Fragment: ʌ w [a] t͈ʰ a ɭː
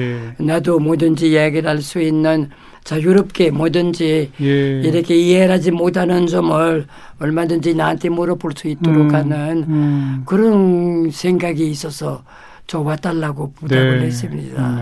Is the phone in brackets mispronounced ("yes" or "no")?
no